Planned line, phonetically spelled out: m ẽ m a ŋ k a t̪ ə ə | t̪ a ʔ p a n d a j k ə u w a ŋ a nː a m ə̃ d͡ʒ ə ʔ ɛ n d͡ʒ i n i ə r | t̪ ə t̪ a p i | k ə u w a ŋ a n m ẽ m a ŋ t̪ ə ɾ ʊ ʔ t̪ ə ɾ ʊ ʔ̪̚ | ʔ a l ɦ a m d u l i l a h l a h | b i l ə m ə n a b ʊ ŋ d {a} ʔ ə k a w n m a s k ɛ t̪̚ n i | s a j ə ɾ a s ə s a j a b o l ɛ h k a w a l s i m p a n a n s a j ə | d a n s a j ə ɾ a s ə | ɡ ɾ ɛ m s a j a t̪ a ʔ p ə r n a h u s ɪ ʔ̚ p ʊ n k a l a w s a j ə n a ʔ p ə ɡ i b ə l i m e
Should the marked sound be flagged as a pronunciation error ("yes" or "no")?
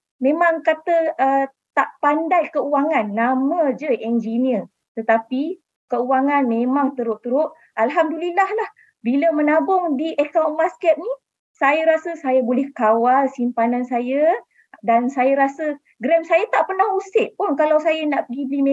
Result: yes